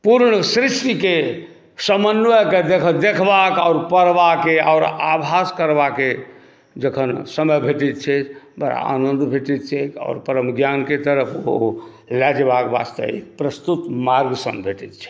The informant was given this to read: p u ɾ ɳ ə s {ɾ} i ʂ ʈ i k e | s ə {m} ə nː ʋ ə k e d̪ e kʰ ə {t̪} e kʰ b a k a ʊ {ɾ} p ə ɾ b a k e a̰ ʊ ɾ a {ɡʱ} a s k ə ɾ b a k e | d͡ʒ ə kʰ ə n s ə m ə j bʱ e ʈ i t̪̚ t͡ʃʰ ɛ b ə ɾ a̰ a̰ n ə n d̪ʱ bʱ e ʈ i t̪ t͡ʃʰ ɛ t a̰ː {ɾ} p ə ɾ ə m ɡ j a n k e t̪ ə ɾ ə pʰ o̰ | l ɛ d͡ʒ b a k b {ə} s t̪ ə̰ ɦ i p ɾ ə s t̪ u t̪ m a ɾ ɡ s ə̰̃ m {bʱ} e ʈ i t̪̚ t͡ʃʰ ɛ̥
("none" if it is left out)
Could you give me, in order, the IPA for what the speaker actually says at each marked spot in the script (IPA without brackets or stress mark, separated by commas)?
ɾ, m, d̪, ɾ, bʱ, ɾ, a, bʱ